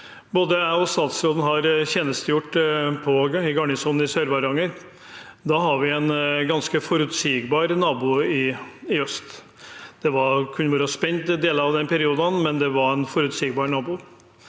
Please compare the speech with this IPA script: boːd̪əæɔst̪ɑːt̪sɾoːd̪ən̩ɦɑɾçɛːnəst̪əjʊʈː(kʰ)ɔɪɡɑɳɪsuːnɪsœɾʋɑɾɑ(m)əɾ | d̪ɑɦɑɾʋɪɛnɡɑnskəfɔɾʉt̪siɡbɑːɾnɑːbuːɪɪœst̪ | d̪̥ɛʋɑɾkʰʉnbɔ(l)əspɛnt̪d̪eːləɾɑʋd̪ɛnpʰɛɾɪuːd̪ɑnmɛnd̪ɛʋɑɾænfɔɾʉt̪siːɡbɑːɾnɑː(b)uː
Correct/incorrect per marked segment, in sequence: incorrect, incorrect, incorrect, correct

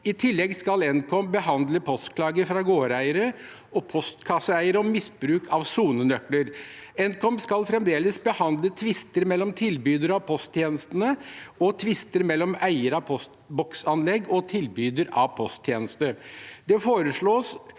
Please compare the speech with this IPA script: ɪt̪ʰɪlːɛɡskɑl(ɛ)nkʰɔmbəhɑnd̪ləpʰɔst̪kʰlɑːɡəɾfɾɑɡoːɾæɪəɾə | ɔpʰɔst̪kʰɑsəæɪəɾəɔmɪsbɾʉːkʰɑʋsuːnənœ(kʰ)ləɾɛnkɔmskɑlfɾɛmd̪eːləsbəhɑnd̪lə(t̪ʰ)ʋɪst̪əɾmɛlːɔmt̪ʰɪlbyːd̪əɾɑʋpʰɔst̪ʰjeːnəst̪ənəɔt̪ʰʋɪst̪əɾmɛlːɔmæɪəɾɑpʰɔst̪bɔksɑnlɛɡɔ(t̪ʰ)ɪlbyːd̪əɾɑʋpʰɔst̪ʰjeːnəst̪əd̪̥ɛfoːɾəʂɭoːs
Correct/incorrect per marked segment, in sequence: correct, incorrect, correct, correct

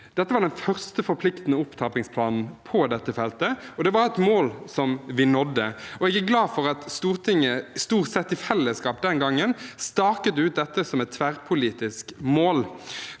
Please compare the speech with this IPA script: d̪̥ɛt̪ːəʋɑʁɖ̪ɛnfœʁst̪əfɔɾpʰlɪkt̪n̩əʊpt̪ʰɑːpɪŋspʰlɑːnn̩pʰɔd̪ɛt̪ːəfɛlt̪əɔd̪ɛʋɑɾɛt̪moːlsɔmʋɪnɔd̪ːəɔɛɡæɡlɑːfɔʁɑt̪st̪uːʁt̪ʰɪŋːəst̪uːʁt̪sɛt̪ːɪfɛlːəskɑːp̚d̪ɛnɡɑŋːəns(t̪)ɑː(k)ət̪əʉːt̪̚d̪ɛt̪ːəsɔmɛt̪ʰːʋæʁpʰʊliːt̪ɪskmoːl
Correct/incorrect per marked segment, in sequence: correct, correct

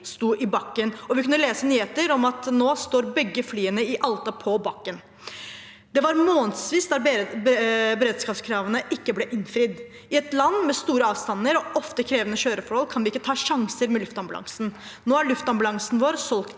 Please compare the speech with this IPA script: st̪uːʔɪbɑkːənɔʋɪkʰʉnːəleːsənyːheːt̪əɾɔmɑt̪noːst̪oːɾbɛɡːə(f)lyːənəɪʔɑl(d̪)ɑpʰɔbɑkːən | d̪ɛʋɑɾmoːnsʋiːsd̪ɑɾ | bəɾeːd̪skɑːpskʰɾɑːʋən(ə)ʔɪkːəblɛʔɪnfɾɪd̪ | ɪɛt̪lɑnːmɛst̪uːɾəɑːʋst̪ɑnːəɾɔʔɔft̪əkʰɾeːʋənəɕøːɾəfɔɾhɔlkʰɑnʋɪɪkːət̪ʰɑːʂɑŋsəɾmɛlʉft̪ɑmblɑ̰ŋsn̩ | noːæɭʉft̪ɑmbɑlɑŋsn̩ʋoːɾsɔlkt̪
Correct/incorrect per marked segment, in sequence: correct, incorrect, correct

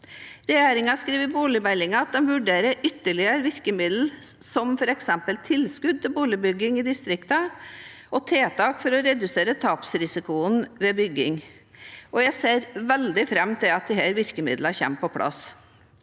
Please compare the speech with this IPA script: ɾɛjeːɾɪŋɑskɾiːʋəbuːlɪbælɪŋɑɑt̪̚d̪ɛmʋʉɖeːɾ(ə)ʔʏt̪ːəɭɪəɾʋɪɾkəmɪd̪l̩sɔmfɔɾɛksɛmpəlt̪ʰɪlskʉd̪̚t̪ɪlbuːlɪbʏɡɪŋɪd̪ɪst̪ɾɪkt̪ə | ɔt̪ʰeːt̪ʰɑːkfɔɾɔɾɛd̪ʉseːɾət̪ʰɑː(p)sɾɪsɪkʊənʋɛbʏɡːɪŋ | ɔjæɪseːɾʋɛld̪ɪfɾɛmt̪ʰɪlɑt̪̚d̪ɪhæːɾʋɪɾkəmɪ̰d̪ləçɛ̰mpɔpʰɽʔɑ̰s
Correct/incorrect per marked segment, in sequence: correct, correct

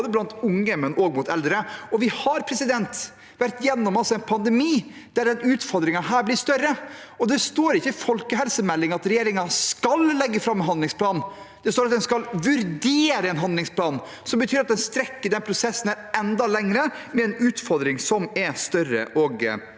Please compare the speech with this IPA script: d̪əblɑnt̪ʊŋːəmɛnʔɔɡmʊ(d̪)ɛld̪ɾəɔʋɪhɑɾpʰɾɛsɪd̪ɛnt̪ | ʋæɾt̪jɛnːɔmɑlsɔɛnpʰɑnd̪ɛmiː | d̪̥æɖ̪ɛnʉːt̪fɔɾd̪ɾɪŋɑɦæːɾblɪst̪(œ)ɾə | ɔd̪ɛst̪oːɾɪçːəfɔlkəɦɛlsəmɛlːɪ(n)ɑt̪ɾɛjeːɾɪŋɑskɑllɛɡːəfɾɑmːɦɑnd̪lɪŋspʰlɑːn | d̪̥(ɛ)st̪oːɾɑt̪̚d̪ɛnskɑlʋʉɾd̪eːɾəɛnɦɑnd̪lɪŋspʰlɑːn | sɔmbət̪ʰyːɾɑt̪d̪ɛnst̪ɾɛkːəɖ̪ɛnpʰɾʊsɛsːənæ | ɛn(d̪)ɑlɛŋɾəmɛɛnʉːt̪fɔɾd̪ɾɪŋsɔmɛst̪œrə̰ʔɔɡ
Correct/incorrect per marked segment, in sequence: incorrect, correct, incorrect, correct, correct

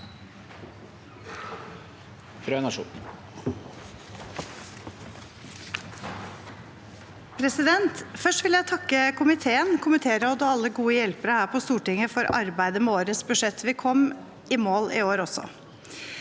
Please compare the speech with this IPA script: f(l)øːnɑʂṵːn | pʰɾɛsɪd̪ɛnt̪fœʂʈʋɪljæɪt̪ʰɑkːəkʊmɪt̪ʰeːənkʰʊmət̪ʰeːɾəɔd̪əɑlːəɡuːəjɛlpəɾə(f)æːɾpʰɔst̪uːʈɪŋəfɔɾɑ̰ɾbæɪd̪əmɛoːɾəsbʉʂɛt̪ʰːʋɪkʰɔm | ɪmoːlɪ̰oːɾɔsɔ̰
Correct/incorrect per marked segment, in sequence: incorrect, incorrect

